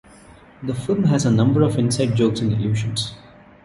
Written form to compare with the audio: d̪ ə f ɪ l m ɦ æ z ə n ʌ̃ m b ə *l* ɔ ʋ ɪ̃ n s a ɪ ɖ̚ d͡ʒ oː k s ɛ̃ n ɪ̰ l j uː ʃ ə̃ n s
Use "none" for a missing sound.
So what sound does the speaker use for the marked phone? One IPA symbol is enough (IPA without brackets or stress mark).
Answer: ɾ